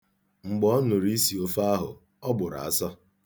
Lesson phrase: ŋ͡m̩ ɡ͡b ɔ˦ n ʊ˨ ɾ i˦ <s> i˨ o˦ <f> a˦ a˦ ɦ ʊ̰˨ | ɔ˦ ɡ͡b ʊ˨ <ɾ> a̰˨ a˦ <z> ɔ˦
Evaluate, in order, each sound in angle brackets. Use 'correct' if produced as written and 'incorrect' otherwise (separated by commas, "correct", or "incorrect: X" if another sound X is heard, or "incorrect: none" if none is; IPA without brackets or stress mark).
correct, correct, correct, incorrect: s